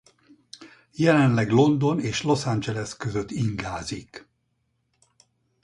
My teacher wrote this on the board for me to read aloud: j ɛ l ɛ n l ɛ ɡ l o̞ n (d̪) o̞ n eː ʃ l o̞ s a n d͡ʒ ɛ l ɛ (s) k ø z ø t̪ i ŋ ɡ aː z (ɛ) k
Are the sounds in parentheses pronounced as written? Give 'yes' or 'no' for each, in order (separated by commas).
yes, yes, no